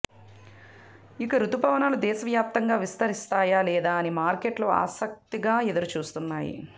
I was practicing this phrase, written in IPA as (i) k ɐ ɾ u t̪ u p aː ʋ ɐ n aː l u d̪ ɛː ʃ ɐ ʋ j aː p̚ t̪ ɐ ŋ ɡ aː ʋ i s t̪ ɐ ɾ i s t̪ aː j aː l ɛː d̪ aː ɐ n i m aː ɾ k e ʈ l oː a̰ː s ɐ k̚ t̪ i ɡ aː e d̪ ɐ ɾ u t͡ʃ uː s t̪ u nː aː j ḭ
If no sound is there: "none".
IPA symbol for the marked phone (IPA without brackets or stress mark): i